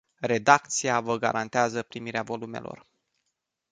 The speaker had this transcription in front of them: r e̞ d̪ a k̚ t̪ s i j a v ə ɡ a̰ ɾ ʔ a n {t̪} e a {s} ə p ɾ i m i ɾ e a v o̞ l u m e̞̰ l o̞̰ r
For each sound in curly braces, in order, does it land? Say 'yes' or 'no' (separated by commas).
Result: yes, no